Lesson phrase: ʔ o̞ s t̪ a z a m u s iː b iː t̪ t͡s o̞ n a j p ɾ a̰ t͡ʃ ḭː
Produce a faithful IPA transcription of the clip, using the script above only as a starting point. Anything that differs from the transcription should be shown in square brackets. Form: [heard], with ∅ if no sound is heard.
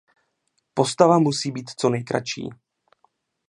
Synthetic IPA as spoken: [p] o̞ s t̪ a [v] a m u s iː b iː t̪ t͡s o̞ n [ɛ] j [k] ɾ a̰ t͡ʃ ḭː